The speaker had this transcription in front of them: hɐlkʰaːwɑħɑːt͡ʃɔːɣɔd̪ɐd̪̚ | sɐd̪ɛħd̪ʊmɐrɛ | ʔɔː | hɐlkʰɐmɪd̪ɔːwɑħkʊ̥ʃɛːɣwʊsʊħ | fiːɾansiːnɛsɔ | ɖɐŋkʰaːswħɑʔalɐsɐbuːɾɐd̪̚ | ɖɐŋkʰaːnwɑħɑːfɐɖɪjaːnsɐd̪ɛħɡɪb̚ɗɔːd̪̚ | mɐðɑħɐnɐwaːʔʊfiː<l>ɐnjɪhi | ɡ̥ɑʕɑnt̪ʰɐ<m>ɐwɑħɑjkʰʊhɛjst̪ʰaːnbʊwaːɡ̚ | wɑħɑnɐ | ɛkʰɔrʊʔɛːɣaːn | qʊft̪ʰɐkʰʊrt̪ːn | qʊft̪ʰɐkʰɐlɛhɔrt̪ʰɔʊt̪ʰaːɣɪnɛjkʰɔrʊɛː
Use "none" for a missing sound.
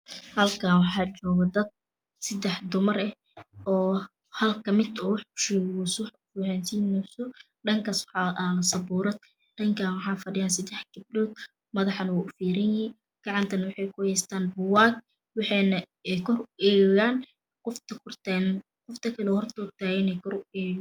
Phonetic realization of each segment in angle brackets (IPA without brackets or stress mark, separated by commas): ɾ, n